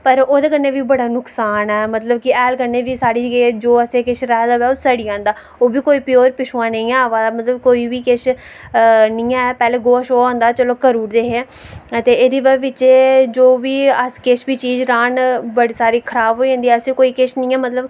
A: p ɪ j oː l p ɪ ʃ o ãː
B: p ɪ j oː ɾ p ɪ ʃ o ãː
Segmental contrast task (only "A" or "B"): B